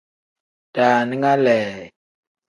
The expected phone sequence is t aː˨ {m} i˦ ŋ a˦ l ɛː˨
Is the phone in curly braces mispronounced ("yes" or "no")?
yes